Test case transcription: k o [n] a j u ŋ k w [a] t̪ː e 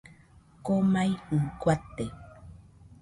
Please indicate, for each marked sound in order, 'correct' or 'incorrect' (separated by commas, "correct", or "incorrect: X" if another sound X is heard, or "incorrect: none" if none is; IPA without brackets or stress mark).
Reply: incorrect: m, correct